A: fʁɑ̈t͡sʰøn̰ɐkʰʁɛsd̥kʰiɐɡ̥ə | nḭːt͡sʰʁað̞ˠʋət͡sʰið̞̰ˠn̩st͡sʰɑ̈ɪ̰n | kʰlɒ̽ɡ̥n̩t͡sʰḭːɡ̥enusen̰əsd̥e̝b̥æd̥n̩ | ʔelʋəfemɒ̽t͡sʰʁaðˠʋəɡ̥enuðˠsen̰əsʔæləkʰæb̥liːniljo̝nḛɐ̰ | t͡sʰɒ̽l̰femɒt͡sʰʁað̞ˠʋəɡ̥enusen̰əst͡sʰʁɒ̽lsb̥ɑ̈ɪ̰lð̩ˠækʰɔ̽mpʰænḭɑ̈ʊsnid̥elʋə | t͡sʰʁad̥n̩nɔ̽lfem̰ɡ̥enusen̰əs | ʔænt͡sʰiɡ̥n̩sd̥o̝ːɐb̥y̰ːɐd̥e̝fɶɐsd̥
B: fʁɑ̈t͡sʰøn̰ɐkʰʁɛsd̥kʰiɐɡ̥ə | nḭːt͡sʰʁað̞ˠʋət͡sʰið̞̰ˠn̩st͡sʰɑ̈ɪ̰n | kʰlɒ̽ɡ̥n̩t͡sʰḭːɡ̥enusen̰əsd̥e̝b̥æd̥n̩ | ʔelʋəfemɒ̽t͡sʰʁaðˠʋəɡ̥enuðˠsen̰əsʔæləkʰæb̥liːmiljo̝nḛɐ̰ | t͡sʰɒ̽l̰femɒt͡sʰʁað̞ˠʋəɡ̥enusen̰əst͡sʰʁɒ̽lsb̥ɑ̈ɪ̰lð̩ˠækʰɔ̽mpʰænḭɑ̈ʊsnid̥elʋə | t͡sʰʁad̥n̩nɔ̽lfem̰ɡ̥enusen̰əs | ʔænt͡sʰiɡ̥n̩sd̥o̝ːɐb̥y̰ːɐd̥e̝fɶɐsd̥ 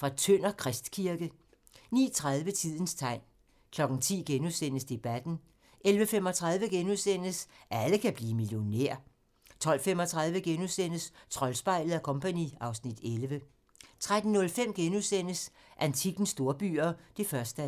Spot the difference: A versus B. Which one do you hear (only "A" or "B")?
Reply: B